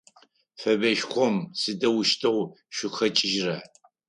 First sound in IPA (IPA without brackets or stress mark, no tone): f